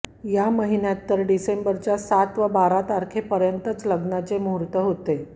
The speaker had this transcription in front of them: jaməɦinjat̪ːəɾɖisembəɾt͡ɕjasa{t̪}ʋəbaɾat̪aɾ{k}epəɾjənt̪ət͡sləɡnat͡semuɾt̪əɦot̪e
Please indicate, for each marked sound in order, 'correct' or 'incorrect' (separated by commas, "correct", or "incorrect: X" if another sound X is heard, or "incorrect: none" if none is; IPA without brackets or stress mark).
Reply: correct, incorrect: kʰ